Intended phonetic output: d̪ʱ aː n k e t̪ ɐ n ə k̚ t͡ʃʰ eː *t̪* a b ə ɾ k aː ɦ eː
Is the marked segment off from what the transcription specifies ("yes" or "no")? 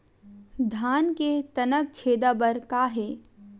yes